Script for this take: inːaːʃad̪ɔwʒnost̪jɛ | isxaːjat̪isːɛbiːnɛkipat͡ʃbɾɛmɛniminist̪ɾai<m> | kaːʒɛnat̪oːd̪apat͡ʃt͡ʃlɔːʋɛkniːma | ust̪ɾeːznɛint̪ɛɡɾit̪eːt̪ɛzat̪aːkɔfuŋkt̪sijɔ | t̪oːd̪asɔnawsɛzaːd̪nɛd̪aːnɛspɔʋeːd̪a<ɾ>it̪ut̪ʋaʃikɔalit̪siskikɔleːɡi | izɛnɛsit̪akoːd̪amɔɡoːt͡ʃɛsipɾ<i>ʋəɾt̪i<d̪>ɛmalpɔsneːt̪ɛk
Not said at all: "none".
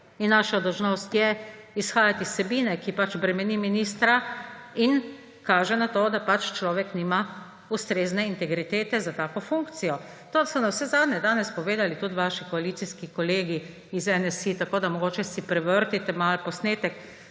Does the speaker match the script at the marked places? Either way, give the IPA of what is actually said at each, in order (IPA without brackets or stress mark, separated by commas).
n, l, ɛ, t̪